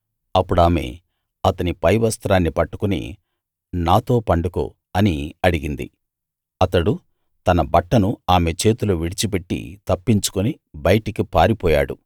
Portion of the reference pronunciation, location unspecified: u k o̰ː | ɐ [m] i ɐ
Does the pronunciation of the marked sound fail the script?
yes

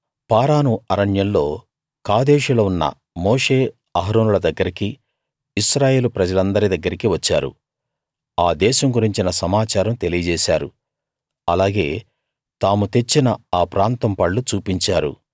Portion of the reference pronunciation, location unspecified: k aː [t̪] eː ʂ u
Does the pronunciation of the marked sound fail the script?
yes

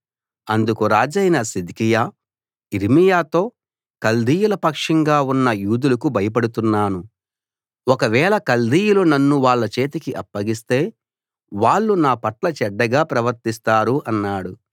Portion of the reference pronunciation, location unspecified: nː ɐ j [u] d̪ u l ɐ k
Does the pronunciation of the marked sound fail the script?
yes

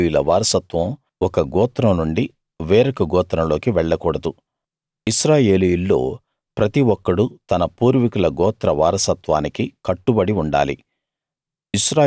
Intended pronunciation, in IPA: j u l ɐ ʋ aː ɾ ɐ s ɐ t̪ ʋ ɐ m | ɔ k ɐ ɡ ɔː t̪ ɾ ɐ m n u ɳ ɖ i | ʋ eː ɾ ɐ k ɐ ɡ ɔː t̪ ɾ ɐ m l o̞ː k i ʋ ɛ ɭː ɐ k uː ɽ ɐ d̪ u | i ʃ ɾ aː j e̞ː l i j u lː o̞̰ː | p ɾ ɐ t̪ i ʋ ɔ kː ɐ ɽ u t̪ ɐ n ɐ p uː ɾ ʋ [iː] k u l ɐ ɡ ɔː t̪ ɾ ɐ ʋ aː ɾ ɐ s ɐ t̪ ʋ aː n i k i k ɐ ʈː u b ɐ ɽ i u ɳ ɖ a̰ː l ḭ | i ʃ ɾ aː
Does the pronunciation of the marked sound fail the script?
yes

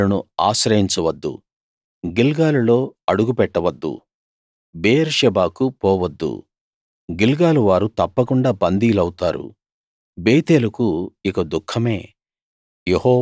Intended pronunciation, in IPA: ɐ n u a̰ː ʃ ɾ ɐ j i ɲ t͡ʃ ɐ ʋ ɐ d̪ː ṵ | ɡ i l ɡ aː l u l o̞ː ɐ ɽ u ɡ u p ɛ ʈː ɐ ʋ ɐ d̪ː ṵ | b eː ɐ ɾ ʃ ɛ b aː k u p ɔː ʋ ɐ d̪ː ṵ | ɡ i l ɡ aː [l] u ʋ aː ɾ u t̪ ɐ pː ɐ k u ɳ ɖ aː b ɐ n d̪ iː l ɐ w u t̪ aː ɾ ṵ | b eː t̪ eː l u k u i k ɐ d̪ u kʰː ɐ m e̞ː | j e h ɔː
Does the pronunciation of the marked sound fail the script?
no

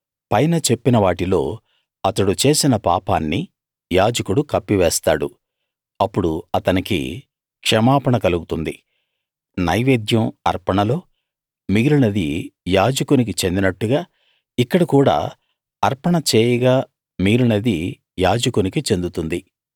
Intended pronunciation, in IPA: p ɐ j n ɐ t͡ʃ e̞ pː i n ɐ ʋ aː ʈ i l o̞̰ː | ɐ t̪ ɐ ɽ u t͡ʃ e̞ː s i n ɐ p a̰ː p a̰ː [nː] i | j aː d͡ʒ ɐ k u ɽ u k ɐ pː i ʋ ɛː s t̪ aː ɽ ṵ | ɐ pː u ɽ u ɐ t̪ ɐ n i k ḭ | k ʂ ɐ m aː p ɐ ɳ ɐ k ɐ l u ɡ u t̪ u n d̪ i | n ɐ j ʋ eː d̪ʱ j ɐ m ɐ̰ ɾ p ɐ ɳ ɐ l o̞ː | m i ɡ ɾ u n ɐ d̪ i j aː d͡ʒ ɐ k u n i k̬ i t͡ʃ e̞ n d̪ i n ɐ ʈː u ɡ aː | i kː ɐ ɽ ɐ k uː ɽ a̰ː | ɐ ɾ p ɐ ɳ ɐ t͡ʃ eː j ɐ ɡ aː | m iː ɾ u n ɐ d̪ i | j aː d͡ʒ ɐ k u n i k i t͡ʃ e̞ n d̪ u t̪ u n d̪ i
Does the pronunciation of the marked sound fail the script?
no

